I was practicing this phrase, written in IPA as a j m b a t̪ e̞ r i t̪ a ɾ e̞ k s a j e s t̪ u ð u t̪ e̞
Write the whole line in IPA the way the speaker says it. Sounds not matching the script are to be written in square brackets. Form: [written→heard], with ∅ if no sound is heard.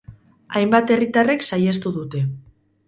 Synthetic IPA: a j m b a t̪ e̞ r i t̪ a [ɾ→r] e̞ k s a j e s t̪ u ð u t̪ e̞